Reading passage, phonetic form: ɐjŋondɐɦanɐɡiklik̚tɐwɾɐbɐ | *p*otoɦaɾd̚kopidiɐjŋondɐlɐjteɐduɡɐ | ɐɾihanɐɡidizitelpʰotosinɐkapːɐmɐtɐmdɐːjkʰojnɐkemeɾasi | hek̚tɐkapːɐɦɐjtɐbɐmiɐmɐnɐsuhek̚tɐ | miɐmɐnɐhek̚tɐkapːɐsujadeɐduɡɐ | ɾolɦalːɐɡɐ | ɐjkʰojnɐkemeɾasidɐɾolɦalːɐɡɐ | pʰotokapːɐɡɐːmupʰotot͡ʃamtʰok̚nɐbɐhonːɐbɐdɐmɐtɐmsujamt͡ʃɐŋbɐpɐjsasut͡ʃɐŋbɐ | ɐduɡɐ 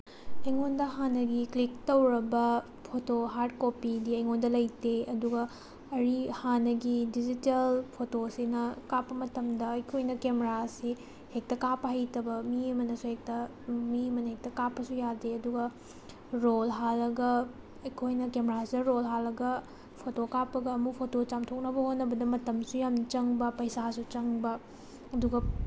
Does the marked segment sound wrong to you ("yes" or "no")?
yes